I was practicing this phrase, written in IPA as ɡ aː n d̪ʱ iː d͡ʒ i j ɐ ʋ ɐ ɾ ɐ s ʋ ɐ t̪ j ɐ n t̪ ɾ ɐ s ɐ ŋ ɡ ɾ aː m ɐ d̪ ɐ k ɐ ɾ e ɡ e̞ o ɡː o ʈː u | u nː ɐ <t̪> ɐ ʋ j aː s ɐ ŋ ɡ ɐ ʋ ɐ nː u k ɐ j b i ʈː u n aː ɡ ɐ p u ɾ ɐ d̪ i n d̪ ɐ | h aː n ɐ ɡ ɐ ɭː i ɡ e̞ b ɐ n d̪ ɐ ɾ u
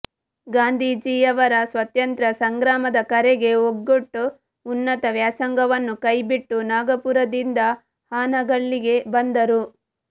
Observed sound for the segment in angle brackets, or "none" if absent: t̪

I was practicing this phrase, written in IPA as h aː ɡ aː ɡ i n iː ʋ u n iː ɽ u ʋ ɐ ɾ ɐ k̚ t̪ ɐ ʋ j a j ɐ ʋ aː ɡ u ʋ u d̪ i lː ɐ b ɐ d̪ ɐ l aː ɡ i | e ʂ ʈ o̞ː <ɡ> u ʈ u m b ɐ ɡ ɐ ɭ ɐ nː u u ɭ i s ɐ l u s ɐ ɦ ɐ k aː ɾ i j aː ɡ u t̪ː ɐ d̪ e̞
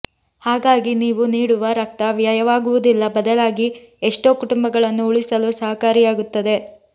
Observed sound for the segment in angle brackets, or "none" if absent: k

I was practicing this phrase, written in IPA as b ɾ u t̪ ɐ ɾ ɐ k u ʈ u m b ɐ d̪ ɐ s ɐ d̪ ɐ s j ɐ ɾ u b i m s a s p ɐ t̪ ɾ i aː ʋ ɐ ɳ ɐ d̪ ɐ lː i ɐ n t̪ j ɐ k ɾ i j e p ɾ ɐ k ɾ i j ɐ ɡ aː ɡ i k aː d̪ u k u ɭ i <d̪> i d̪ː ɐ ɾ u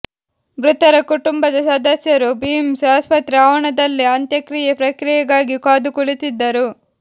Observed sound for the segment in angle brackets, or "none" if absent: t̪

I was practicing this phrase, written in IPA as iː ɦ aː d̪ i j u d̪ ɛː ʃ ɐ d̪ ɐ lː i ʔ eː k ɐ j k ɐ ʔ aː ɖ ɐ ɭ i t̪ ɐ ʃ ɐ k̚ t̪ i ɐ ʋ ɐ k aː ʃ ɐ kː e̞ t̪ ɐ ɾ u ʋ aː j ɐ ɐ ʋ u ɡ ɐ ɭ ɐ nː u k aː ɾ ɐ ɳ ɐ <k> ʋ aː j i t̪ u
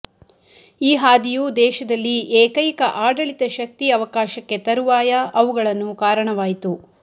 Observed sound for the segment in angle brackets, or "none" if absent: none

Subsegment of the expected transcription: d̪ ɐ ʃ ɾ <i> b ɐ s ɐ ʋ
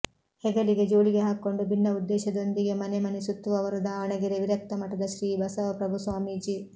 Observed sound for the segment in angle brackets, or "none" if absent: iː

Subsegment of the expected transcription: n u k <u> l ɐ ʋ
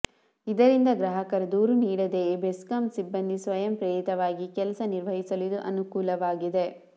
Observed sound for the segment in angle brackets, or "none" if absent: uː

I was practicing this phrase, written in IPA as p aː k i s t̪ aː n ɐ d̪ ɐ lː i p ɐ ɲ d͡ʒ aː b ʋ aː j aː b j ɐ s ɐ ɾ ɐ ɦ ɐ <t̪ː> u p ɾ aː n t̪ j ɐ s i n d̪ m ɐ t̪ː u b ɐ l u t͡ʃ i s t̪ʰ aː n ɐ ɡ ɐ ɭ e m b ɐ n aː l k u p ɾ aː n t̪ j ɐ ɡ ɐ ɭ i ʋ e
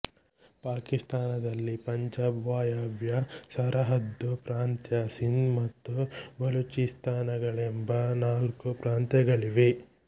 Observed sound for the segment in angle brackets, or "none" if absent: d̪ː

